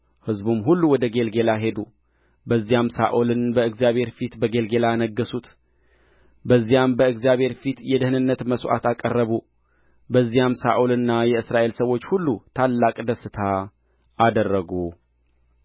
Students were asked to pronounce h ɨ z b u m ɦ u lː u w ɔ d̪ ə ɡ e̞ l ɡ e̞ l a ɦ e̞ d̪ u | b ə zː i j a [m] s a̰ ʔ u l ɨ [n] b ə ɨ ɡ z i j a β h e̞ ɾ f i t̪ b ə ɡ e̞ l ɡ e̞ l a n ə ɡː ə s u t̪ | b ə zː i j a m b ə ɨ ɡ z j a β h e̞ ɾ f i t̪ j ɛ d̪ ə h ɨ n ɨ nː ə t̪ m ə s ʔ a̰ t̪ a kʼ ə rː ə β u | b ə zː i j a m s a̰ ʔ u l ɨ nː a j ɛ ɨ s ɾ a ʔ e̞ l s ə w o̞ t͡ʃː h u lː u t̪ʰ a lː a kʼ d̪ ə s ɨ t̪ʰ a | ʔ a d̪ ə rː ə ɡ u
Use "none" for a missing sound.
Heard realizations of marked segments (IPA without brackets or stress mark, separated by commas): m, n